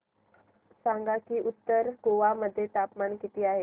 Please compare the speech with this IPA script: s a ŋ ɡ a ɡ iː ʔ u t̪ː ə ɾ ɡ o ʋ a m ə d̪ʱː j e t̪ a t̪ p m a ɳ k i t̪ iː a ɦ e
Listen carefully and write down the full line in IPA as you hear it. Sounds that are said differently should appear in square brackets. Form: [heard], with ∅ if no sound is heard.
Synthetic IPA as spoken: s a ŋ ɡ a [k] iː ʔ u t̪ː ə ɾ ɡ o ʋ a m ə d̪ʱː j e t̪ a [∅] p m a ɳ k i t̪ iː a ɦ e